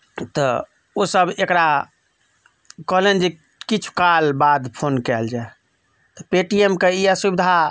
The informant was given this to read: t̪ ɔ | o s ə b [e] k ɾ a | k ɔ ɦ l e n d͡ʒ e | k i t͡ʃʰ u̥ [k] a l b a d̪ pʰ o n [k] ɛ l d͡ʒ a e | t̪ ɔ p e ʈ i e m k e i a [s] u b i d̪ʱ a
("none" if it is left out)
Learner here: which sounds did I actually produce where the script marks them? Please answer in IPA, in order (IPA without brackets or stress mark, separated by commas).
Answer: e, k, k, s